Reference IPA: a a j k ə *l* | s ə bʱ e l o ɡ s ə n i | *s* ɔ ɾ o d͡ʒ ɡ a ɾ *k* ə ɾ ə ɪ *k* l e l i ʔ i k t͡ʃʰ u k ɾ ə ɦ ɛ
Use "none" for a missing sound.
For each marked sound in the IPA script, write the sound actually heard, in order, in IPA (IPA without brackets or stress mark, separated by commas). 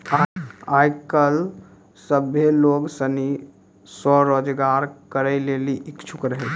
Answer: l, s, k, none